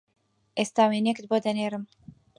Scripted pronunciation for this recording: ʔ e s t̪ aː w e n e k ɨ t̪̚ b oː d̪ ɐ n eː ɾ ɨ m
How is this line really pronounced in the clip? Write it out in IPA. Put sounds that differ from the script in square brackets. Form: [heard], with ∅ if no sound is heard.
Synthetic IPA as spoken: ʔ e s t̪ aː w e n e k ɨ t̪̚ b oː d̪ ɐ n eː ɾ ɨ m